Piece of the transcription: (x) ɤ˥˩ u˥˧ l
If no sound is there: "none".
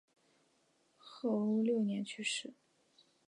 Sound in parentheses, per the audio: x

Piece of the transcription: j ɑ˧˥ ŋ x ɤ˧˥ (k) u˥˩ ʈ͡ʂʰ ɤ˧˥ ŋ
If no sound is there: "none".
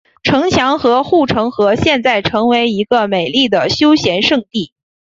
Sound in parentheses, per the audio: x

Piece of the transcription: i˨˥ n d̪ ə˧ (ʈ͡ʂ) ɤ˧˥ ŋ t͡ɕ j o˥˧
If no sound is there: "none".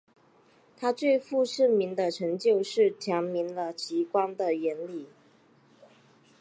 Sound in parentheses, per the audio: ʈ͡ʂʰ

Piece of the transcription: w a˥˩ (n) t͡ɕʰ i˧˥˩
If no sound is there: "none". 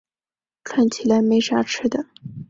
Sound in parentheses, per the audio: n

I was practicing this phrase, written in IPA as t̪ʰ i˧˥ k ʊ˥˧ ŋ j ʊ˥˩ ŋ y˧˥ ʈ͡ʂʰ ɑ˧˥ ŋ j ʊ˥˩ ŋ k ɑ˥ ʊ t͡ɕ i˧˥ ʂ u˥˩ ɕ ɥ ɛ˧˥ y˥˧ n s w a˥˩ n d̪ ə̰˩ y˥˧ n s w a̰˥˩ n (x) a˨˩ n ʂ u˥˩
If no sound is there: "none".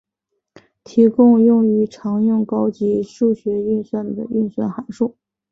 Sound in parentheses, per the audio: x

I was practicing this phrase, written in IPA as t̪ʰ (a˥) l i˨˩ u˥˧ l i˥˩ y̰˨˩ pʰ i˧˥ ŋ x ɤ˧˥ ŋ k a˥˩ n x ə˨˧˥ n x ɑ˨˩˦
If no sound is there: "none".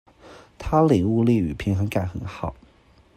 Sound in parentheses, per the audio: a˥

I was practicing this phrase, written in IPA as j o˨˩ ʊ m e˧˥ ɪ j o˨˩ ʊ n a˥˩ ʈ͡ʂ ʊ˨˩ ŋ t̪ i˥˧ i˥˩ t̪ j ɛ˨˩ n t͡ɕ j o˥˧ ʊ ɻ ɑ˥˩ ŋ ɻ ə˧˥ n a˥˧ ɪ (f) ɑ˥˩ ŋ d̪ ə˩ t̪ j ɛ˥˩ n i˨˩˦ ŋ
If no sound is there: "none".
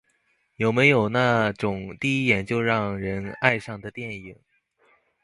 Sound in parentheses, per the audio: ʂ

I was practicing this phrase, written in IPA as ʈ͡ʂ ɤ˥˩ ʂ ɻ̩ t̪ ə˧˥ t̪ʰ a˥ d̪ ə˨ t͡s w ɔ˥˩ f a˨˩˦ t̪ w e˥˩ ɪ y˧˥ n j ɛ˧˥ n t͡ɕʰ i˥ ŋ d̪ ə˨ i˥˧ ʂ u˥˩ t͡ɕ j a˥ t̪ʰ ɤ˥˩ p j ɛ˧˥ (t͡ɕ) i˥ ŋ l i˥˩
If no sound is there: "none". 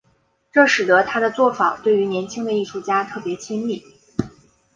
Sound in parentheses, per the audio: t͡ɕʰ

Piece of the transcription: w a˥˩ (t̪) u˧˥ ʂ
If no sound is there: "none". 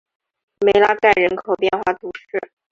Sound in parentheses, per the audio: t̪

